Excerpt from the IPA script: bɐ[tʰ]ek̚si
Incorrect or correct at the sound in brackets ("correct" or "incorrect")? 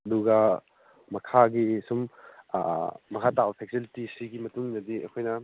incorrect